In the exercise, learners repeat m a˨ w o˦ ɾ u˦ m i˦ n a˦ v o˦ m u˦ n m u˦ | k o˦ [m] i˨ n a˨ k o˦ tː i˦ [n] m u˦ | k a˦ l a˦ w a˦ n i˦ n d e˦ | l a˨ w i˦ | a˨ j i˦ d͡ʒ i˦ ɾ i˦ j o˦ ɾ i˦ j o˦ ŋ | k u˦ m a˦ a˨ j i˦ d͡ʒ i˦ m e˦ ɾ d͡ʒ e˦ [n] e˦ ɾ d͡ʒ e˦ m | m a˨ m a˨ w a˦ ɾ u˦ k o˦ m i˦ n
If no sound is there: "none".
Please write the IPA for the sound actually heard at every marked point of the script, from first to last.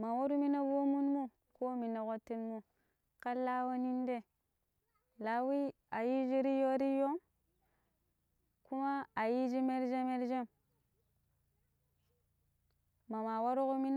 m, n, m

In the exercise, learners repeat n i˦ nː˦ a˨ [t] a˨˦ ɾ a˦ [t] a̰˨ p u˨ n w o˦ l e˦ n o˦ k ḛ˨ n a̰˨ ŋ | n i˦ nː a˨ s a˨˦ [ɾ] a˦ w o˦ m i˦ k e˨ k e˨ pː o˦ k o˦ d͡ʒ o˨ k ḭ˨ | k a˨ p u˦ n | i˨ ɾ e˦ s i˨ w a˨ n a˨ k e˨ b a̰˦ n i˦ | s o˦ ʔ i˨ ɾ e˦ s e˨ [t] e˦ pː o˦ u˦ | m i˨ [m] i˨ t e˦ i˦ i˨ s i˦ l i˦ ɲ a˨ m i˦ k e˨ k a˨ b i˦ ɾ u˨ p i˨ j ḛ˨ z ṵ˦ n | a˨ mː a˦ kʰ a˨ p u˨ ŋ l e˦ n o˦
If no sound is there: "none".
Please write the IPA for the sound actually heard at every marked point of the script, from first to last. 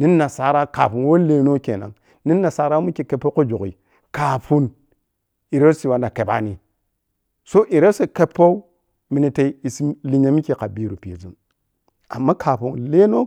s, k, ɾ, k, n

